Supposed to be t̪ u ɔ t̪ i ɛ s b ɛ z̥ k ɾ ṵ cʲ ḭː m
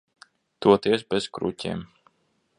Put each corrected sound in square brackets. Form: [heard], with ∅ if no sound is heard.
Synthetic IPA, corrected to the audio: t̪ u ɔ t̪ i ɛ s b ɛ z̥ k ɾ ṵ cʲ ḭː m